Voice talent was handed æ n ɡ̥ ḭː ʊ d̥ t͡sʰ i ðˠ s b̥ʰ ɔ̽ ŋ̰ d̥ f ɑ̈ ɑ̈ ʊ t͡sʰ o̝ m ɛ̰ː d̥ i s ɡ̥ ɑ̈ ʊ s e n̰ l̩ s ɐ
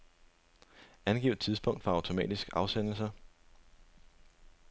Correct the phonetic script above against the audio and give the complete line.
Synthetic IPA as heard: æ n ɡ̥ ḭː ʊ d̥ t͡sʰ i ðˠ s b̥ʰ ɔ̽ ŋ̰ d̥ f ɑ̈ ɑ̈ ʊ t͡sʰ o̝ m ɛ̰ː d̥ i s ɡ̥ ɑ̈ ʊ s e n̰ l̩ s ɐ